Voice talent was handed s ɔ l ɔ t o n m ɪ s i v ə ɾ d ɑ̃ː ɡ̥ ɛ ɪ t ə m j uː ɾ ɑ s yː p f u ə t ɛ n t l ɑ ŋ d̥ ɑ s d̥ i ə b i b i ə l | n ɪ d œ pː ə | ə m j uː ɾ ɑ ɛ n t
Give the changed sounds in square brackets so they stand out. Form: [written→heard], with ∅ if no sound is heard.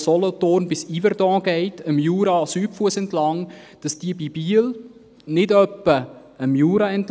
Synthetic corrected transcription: s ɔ l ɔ t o n [m→b] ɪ s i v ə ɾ d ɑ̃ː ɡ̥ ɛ ɪ t ə m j uː ɾ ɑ s yː p f u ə [t→s] ɛ n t l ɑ ŋ d̥ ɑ s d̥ i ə b i b i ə l | n ɪ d œ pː ə | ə m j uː ɾ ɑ ɛ n t